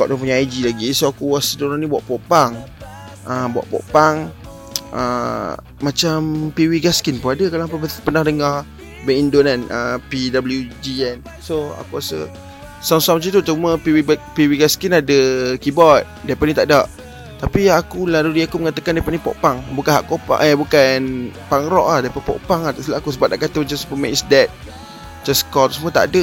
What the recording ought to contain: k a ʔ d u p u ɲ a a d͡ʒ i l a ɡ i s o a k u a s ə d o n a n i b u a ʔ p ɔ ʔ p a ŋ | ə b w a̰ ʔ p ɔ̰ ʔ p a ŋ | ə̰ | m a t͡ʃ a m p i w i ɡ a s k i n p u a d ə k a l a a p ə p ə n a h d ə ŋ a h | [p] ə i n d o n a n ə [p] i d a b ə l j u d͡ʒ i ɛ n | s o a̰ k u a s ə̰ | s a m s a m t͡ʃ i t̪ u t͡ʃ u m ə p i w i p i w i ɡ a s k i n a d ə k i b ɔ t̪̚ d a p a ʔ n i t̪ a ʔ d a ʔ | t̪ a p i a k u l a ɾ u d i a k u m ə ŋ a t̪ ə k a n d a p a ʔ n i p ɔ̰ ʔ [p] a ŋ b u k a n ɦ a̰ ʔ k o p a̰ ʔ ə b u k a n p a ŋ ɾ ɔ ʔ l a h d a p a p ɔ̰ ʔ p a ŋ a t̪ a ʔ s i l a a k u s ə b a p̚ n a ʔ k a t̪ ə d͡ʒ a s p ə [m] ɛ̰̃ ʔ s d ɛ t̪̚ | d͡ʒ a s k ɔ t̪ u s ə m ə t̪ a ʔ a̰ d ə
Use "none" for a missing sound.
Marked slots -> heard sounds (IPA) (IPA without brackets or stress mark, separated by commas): b, p, p, m